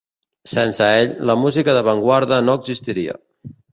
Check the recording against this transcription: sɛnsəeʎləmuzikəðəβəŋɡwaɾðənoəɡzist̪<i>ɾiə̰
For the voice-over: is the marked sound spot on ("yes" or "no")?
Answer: yes